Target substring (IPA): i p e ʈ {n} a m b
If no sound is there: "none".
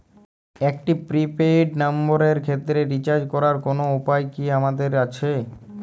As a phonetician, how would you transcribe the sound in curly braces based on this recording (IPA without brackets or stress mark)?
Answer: n